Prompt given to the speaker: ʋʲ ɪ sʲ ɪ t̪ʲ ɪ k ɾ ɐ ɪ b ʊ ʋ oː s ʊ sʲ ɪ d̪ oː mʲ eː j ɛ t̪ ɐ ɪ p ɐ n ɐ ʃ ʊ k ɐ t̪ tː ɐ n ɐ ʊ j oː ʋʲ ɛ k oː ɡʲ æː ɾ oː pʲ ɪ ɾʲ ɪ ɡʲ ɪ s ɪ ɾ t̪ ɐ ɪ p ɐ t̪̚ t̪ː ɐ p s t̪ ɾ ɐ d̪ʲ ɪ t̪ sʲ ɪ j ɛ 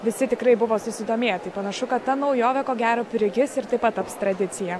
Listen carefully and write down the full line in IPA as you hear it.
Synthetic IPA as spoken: ʋʲ ɪ sʲ ɪ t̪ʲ ɪ k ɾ ɐ ɪ b ʊ ʋ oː s ʊ sʲ ɪ d̪ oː mʲ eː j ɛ t̪ ɐ ɪ p ɐ n ɐ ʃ ʊ k ɐ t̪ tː ɐ n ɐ ʊ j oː ʋʲ ɛ k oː ɡʲ æː ɾ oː pʲ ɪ ɾʲ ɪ ɡʲ ɪ s ɪ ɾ t̪ ɐ ɪ p ɐ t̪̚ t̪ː ɐ p s t̪ ɾ ɐ d̪ʲ ɪ t̪ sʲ ɪ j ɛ